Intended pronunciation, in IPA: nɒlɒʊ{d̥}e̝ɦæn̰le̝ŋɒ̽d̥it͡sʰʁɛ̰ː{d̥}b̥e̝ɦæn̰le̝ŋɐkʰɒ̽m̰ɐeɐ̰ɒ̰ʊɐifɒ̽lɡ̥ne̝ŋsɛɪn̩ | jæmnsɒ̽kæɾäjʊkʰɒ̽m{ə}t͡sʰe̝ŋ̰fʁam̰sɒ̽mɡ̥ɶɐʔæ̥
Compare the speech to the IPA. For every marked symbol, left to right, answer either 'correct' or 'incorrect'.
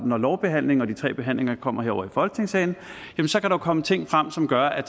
incorrect, incorrect, correct

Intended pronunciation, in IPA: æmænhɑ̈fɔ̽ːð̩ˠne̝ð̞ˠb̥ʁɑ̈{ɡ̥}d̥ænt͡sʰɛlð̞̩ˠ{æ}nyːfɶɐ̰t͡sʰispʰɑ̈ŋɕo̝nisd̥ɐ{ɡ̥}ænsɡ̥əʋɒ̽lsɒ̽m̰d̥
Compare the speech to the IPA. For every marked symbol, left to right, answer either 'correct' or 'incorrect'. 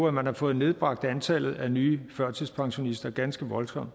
correct, correct, correct

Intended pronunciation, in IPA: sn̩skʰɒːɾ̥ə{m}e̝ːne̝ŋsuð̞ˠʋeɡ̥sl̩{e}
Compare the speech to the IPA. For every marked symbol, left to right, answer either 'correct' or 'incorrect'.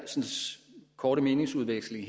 correct, incorrect

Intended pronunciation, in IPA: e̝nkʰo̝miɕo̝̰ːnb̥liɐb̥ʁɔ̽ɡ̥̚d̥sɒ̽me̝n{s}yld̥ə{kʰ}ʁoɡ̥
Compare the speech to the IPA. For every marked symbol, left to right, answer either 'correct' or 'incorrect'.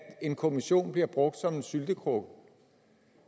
correct, correct

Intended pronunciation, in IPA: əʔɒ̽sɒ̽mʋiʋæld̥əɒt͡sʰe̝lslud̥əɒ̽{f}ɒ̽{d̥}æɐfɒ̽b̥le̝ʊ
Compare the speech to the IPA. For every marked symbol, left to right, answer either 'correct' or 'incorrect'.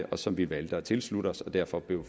incorrect, correct

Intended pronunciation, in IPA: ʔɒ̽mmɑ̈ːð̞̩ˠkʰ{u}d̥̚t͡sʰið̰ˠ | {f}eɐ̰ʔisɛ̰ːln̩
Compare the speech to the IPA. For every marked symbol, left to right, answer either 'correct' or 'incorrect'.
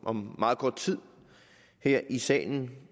incorrect, incorrect

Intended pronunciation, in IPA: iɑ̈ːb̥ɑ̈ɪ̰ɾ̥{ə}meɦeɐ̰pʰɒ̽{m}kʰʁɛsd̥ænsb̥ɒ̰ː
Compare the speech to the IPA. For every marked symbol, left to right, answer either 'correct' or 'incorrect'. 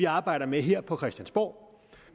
incorrect, incorrect

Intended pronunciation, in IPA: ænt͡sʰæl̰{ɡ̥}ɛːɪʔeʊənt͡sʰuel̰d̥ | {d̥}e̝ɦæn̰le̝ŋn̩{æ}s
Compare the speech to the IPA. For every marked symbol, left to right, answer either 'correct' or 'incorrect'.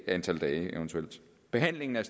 incorrect, incorrect, correct

